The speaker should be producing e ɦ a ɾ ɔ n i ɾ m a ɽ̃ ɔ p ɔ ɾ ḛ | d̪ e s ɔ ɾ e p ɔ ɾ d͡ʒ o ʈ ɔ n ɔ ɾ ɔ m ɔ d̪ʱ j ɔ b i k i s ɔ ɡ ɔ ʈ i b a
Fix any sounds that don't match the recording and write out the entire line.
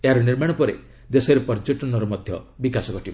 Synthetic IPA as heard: e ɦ a ɾ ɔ n i ɾ m a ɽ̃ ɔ p ɔ ɾ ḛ | d̪ e s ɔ ɾ e p ɔ ɾ d͡ʒ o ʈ ɔ n ɔ ɾ ɔ m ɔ d̪ʱ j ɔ b i k a s ɔ ɡ ɔ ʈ i b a